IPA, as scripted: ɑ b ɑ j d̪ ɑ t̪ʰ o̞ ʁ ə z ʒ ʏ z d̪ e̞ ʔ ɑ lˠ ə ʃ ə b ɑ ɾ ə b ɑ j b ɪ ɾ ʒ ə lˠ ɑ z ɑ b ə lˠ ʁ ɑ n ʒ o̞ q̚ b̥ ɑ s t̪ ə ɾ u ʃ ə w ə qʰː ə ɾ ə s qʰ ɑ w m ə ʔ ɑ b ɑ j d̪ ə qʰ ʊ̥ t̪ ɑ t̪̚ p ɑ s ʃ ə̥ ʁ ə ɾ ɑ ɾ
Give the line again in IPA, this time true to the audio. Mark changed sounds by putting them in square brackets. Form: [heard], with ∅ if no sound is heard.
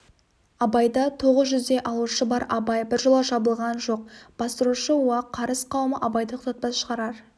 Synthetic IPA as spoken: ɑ b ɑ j d̪ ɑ t̪ʰ o̞ ʁ ə z ʒ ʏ z d̪ e̞ ʔ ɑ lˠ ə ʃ ə b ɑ ɾ [ɑ] b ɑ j b ɪ ɾ ʒ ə lˠ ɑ [ʒ] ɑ b ə lˠ ʁ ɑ n ʒ o̞ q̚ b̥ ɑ s t̪ ə ɾ u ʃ ə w [ɑ] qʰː [ɑ] ɾ ə s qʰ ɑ w m ə ʔ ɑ b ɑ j d̪ ə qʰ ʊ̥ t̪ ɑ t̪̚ p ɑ s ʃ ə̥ ʁ [ɑ] ɾ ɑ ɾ